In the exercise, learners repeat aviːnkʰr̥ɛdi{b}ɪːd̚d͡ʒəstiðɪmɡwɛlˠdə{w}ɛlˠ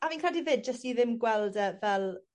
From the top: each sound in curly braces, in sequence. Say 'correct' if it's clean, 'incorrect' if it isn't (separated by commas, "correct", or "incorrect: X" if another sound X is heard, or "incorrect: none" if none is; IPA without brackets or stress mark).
incorrect: v, incorrect: v